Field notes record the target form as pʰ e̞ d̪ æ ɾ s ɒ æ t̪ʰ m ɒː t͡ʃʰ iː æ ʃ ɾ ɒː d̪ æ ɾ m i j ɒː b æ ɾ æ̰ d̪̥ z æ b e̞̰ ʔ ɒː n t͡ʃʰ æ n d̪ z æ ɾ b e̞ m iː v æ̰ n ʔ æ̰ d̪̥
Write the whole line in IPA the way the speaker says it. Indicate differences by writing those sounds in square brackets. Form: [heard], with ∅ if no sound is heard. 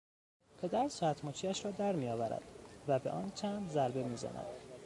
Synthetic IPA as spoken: pʰ e̞ d̪ æ ɾ s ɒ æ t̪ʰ m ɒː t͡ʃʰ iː æ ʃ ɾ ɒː d̪ æ ɾ m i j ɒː [v] æ ɾ æ̰ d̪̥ [v] æ b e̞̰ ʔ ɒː n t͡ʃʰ æ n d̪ z æ ɾ b e̞ m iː [z] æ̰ n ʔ æ̰ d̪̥